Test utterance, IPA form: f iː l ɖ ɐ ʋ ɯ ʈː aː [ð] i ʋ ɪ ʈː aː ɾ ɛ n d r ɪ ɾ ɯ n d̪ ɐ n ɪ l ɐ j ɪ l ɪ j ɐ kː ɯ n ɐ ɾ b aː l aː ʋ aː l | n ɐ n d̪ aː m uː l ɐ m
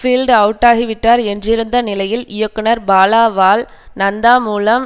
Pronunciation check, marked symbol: incorrect: ɣ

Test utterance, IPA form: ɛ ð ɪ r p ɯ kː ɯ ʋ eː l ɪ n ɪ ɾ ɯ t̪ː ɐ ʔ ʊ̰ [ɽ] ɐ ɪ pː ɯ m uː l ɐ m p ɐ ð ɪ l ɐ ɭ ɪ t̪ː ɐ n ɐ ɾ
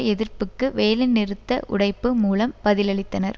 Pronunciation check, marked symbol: correct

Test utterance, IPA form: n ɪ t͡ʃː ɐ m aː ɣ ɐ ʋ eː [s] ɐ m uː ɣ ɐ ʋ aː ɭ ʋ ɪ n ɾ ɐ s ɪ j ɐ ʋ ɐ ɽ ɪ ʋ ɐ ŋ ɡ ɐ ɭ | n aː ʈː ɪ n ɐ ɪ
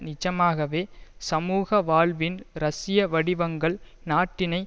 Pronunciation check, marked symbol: correct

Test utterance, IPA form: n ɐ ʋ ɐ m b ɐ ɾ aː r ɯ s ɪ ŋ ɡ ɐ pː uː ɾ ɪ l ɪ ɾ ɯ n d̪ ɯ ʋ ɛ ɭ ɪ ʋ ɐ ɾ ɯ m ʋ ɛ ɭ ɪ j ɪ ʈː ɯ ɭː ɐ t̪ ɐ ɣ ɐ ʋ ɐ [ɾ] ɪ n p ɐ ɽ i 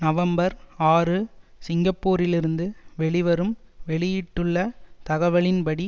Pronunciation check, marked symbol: incorrect: ɭ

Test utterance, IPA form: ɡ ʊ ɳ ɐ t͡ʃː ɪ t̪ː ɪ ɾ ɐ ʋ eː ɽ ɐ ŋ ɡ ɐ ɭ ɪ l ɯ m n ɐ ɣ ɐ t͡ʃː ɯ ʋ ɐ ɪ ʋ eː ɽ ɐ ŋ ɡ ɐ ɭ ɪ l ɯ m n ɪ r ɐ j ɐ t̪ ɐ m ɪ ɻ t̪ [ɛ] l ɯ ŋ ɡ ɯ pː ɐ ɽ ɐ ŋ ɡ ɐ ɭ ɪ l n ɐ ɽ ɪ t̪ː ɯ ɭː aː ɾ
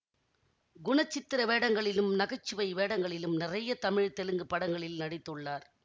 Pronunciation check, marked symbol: correct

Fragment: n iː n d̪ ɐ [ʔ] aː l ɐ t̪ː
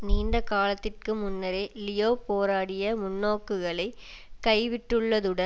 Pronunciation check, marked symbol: incorrect: k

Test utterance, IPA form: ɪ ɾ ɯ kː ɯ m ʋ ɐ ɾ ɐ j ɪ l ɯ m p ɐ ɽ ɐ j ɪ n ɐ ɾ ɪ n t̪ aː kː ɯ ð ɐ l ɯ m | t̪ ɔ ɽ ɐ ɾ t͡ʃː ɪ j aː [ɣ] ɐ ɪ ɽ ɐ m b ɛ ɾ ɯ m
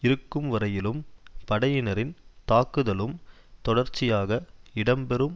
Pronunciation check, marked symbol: correct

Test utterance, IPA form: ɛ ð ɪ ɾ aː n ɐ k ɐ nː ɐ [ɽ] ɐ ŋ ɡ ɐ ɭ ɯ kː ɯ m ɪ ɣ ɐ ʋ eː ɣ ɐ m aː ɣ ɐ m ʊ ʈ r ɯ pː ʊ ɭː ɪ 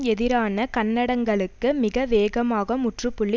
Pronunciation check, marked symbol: correct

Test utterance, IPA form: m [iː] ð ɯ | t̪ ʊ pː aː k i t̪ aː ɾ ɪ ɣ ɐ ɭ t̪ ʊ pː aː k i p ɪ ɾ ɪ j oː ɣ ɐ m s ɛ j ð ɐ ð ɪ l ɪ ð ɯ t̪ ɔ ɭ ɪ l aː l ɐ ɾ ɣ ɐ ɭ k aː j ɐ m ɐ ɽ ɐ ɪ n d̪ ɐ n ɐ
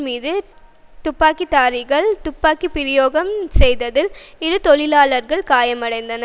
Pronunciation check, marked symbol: correct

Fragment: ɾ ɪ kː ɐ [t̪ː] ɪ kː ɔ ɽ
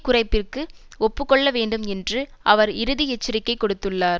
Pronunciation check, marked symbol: incorrect: none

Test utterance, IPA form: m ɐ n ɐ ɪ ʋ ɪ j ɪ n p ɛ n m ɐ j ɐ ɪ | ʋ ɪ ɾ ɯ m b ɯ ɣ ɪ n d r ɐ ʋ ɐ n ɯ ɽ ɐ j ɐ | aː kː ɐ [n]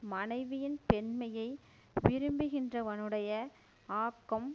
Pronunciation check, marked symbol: incorrect: m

